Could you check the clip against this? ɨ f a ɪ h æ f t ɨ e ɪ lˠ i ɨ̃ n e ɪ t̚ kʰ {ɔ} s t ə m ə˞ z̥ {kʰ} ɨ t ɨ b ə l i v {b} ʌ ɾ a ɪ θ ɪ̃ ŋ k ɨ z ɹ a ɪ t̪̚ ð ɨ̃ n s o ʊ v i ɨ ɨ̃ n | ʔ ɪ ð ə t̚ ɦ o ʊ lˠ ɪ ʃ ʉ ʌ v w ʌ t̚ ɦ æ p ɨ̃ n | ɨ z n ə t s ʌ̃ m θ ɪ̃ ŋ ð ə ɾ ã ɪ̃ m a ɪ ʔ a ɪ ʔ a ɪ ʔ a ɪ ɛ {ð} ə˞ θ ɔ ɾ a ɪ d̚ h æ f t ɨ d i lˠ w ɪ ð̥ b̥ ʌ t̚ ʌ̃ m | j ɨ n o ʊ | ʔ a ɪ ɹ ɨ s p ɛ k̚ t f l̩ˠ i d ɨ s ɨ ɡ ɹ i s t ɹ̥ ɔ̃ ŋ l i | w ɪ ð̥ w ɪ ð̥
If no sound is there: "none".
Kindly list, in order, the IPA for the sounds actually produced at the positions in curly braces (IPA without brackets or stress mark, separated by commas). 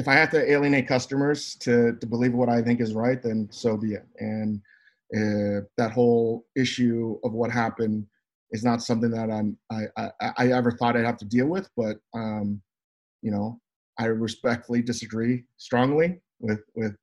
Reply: ʌ, tʰ, w, v